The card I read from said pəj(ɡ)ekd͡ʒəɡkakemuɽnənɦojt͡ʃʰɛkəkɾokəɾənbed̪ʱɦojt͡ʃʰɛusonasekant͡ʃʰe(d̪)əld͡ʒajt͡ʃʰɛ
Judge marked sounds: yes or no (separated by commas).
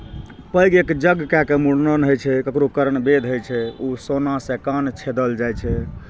yes, yes